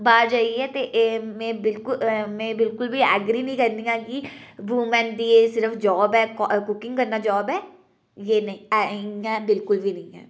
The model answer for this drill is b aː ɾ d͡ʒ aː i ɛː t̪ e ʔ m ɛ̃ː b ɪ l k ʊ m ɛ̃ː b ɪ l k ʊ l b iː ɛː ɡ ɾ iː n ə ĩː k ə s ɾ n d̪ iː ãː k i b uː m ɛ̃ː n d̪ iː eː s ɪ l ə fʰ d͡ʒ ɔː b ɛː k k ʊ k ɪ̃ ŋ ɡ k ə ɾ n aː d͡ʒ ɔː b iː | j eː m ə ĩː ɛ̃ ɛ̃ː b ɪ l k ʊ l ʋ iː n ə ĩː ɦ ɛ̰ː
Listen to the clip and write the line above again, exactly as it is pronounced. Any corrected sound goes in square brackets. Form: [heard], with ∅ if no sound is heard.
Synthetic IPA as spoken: b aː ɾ d͡ʒ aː i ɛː t̪ e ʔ m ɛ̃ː b ɪ l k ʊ m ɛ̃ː b ɪ l k ʊ l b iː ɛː ɡ ɾ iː n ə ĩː k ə [∅] ɾ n d̪ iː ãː k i b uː m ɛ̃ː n d̪ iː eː s ɪ [ɾ] ə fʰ d͡ʒ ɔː b ɛː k k ʊ k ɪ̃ ŋ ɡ k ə ɾ n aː d͡ʒ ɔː b [ɛː] | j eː [n] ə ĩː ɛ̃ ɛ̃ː b ɪ l k ʊ l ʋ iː n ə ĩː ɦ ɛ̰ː

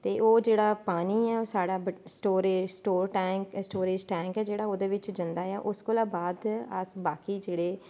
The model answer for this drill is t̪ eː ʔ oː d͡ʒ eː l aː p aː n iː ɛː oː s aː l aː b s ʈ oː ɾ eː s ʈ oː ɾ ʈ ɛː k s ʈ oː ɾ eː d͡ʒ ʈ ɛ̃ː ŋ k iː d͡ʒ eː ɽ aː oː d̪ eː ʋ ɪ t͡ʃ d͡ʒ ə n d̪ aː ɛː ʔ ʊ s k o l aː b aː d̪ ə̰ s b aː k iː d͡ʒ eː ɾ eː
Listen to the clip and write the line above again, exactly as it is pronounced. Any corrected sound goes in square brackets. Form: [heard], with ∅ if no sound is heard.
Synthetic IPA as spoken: t̪ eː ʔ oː d͡ʒ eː [ɽ] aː p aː n iː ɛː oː s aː [ɽ] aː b s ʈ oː ɾ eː s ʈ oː ɾ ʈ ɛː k s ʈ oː ɾ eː d͡ʒ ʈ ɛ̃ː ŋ k [ɛː] d͡ʒ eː ɽ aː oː d̪ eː ʋ ɪ t͡ʃ d͡ʒ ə n d̪ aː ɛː ʔ ʊ s k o l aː b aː d̪ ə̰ s b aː k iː d͡ʒ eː [ɽ] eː

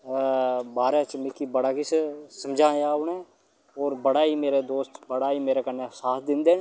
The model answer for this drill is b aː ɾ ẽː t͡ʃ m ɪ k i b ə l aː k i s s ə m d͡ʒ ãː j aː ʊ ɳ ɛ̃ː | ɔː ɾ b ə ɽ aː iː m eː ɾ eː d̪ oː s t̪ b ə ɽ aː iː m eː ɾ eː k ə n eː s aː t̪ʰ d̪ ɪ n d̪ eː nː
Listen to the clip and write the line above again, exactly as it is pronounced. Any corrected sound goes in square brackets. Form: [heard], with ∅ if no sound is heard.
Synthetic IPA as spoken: b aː ɾ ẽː t͡ʃ m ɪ k i b ə [ɽ] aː k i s s ə m d͡ʒ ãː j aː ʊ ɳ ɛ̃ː | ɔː ɾ b ə ɽ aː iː m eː ɾ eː d̪ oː s t̪ b ə ɽ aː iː m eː ɾ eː k ə n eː s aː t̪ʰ d̪ ɪ n d̪ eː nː

